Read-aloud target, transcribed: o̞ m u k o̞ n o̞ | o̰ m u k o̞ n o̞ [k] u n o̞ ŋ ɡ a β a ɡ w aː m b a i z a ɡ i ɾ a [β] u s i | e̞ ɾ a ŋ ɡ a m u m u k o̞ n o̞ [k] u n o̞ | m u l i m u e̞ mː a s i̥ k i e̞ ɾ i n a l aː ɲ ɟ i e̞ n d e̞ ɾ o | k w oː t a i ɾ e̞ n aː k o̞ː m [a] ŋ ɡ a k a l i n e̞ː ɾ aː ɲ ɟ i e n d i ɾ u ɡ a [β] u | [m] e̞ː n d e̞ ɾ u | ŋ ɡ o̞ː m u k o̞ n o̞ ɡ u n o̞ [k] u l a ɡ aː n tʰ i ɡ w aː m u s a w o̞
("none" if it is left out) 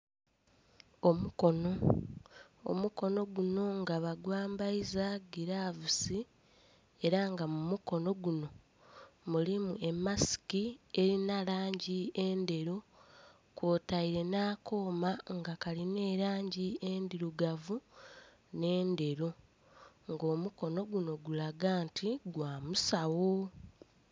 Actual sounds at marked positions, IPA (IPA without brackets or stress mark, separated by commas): ɡ, v, ɡ, a, v, n, ɡ